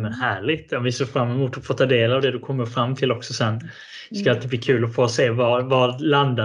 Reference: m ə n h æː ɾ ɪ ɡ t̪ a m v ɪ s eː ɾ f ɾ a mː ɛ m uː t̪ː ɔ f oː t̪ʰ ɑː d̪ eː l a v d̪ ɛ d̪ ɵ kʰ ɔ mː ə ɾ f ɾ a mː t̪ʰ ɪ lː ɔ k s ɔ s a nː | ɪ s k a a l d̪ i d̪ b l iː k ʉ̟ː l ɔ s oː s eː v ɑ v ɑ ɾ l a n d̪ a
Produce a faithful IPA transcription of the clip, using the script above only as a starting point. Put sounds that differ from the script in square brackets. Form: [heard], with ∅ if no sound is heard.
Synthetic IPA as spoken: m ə n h æː [ɭ] ɪ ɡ t̪ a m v ɪ s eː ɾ f ɾ a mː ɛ m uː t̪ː ɔ f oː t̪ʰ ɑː d̪ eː l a v d̪ ɛ d̪ ɵ kʰ ɔ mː ə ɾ f ɾ a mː t̪ʰ ɪ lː ɔ k s ɔ s [ɛ] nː | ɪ s k a a l [t̪] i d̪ b l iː [kʰ] ʉ̟ː l ɔ [f] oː s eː v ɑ v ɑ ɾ l a n d̪ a